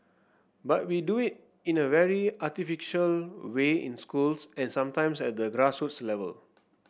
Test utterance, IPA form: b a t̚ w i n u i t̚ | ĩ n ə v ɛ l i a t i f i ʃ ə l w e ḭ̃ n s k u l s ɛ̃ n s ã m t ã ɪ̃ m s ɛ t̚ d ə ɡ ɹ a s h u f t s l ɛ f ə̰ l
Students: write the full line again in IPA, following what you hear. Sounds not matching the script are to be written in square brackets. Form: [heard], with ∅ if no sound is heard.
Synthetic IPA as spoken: b a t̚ w i [d] u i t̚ | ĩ n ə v ɛ [ɹ] i a t i f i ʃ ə l w e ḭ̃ n s k u l s ɛ̃ n s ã m t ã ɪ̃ m s ɛ t̚ d ə ɡ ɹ a s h u [∅] t s l ɛ [v] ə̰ l